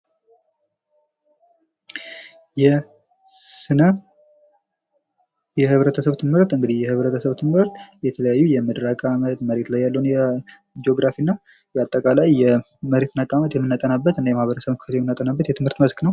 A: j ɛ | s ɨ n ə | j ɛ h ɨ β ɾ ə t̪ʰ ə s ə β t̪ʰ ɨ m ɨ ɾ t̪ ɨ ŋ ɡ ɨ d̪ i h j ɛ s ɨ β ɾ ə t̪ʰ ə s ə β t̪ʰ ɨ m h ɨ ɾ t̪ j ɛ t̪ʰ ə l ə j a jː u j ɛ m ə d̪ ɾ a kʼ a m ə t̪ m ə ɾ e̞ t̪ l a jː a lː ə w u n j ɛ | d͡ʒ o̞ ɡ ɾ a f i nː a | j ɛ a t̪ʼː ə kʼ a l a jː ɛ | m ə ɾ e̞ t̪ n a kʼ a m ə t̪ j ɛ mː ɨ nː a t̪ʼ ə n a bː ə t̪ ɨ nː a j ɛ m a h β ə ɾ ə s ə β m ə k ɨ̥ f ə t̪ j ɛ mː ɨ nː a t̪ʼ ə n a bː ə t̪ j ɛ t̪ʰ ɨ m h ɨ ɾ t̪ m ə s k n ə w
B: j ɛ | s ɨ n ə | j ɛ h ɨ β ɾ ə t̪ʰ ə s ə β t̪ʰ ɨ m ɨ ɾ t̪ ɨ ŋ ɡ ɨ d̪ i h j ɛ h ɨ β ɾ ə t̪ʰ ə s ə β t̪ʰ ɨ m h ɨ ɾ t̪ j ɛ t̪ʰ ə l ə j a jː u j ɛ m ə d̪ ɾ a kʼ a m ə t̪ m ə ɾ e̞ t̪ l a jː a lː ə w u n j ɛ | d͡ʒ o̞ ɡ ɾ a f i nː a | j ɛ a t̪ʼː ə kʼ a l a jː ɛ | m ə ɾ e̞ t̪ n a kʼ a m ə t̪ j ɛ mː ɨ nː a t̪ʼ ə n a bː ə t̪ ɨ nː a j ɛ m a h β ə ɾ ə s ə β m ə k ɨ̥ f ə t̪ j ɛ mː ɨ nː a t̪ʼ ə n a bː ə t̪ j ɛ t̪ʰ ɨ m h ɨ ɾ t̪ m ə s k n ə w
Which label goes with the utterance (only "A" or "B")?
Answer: B